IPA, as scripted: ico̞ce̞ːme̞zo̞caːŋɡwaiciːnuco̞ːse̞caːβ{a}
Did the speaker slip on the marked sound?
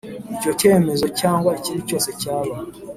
no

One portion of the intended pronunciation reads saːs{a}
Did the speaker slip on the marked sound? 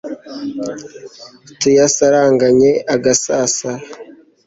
no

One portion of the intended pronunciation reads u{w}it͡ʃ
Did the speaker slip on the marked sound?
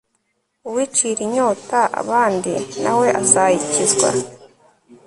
no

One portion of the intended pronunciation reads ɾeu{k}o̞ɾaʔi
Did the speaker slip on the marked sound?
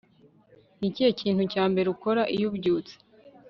no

